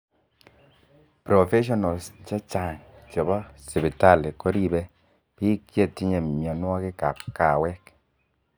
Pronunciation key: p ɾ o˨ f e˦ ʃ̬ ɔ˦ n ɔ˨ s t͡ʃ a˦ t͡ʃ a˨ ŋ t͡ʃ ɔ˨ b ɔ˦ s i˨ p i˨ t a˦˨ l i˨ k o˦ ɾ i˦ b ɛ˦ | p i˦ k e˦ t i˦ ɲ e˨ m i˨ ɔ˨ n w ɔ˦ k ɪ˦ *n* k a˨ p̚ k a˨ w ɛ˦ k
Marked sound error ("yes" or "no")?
yes